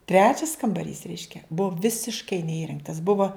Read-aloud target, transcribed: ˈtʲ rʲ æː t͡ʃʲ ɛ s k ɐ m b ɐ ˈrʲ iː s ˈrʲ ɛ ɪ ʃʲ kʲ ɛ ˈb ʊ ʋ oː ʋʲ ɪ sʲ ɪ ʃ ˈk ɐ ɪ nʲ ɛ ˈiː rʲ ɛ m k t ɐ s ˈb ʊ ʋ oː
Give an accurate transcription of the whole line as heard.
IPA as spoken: ˈtʲ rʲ æː t͡ʃʲ ɛ s k ɐ m b ɐ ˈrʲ iː s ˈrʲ ɛ ɪ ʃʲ kʲ ɛ ˈb ʊ ʋ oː ʋʲ ɪ sʲ ɪ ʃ ˈk ɐ ɪ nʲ ɛ ˈiː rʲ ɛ ŋ k t ɐ s ˈb ʊ ʋ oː

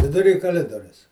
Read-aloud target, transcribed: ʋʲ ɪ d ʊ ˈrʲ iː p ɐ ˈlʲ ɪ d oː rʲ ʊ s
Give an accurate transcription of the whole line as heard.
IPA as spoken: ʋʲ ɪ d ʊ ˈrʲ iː k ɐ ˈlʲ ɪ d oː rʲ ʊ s

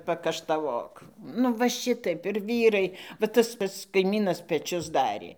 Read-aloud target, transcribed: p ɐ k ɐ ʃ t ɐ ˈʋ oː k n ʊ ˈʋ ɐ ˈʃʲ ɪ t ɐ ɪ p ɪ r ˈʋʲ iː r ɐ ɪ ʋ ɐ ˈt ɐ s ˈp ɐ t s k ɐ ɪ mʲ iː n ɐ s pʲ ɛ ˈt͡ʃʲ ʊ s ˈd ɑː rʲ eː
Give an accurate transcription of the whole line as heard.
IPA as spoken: p ɐ k ɐ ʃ t ɐ ˈʋ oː k n ʊ ˈʋ ɐ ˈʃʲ ɪ t ɐ ɪ p ɪ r ˈʋʲ iː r ɐ ɪ ʋ ɐ ˈt ɐ s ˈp ɐ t s k ɐ ɪ mʲ iː n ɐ s pʲ ɛ ˈt͡ʃʲ ʊ s ˈd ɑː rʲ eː

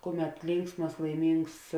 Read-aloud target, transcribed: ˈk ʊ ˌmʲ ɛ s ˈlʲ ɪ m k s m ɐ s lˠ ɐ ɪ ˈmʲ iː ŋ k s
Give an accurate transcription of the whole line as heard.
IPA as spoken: ˈk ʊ ˌmʲ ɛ t ˈlʲ ɪ ŋ k s m ɐ s lˠ ɐ ɪ ˈmʲ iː ŋ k s

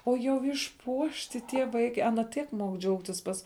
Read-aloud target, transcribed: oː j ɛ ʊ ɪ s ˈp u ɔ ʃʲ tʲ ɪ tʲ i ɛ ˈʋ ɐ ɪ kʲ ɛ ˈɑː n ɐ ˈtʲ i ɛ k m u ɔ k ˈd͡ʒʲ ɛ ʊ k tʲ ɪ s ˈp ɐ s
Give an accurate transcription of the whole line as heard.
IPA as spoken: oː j ɛ ʊ ɪ ʃ ˈp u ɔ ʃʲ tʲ ɪ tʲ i ɛ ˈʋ ɐ ɪ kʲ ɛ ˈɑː n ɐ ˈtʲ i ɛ k m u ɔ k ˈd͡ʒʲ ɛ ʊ k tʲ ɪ s ˈp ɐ s

